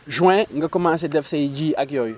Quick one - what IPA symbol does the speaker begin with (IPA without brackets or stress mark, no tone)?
ʒ